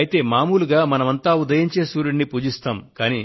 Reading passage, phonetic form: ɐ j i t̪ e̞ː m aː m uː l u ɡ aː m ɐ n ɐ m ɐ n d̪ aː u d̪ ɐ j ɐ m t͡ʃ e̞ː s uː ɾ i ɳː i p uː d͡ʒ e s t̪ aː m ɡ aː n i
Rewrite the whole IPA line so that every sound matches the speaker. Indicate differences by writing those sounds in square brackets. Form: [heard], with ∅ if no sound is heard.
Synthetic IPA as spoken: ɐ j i t̪ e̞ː m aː m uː l u ɡ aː m ɐ n ɐ m ɐ n [t̪] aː u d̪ ɐ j ɐ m t͡ʃ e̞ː s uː ɾ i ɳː i p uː d͡ʒ [i] s t̪ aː m [k] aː n i